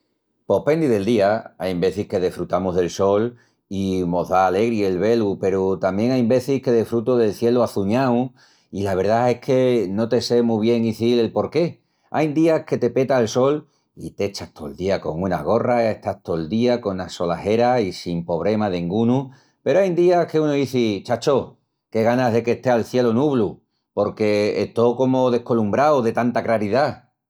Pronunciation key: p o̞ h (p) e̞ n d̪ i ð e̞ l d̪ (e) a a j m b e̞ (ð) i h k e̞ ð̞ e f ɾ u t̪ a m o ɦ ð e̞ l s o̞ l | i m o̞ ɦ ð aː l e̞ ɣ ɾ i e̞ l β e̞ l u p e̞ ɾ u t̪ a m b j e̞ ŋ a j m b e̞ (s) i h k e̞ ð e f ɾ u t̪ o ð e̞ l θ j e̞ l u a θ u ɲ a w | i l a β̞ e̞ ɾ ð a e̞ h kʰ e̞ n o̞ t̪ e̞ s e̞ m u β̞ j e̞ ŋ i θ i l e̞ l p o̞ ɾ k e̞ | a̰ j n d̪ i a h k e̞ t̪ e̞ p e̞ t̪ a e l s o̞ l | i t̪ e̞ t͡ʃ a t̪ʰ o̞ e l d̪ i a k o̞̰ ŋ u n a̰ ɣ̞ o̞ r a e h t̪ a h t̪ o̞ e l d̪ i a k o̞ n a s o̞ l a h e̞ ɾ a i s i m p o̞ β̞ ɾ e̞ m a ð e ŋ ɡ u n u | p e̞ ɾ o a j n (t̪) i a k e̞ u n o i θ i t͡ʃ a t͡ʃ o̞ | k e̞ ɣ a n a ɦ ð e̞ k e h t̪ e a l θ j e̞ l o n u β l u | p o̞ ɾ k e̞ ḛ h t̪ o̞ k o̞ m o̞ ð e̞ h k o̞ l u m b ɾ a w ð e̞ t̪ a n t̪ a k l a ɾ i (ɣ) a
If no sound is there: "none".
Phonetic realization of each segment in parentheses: p, i, θ, θ, d̪, ð

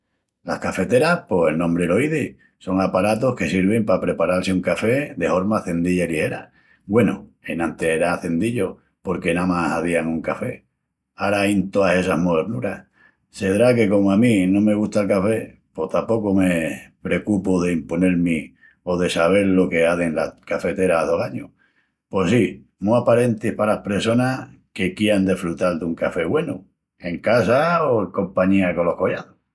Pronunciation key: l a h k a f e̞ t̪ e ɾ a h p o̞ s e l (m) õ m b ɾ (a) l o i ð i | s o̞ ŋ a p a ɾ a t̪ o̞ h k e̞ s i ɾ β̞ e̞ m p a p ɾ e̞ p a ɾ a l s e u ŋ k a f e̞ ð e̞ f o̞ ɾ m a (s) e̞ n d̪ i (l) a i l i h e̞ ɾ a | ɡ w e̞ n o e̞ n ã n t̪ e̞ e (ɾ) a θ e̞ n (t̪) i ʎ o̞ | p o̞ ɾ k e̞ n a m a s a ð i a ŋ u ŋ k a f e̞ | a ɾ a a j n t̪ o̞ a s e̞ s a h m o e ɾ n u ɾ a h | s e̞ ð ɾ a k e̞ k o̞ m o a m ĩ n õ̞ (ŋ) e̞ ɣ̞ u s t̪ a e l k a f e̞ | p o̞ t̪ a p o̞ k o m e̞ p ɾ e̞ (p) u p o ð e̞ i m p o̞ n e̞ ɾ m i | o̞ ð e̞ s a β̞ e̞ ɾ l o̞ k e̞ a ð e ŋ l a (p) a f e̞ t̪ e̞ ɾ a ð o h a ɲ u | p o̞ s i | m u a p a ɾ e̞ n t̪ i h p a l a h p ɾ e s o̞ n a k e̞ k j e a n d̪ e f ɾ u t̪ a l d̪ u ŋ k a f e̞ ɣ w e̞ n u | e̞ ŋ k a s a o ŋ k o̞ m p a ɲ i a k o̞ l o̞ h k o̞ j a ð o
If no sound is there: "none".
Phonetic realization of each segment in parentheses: n, e, θ, ʎ, ɾ, d̪, m, k, k

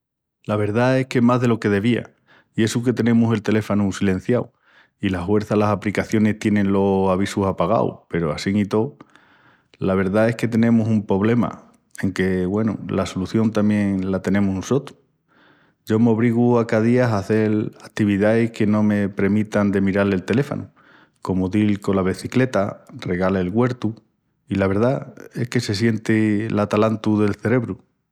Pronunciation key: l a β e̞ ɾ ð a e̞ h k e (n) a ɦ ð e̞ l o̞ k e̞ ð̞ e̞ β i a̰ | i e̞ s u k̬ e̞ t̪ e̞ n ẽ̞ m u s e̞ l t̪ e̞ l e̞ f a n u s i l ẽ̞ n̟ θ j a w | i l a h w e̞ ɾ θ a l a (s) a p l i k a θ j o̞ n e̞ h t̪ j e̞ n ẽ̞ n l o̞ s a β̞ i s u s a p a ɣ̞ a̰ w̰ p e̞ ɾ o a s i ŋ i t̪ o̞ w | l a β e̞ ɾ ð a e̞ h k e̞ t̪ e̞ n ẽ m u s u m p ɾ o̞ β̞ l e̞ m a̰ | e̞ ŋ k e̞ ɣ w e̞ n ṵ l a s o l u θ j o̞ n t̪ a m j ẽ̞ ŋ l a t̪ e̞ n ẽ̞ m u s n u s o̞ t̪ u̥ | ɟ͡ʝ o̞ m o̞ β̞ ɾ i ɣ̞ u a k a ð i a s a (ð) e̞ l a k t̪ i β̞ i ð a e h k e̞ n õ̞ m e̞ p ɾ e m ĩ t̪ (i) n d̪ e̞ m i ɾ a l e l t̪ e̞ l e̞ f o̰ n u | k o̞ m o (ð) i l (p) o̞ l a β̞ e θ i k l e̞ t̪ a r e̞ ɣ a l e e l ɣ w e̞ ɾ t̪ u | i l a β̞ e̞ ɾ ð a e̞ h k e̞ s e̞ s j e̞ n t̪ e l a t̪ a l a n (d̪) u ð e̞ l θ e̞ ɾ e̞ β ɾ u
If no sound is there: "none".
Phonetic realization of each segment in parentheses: m, s, θ, a, ð, k, t̪

